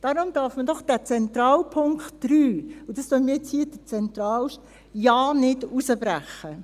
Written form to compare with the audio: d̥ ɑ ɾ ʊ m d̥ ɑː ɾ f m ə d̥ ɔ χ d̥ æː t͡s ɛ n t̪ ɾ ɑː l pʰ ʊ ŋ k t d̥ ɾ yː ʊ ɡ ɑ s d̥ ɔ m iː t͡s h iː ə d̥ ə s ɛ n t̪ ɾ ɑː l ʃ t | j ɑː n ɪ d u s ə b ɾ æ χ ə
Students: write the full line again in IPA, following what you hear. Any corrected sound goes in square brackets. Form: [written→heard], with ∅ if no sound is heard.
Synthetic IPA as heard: d̥ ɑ ɾ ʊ m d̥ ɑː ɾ f m ə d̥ ɔ χ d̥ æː t͡s ɛ n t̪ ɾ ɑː l pʰ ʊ ŋ k t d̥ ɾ yː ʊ [ɡ→d] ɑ s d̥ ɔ m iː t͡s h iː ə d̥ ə [s→t͡s] ɛ n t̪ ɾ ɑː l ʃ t | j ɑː n ɪ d u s ə b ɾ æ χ ə